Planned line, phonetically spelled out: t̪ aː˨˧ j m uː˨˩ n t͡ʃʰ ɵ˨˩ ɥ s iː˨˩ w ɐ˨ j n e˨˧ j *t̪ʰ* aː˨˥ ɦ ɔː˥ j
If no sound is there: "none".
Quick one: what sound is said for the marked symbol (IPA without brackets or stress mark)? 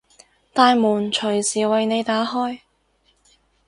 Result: t̪